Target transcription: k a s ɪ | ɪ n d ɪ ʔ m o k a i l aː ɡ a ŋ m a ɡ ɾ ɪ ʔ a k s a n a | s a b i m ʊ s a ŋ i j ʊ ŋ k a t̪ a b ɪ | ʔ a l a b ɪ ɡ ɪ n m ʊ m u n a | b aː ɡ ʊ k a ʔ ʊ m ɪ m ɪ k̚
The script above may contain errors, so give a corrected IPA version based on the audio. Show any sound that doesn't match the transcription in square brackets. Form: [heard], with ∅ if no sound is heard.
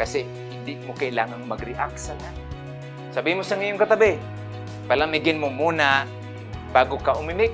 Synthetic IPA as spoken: k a s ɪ | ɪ n d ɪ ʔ m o k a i l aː [ŋ] a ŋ m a ɡ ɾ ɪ ʔ a k s a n a | s a b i m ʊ s a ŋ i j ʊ ŋ k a t̪ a b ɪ | [p] a l a [m] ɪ ɡ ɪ n m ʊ m u n a | b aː ɡ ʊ k a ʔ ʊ m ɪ m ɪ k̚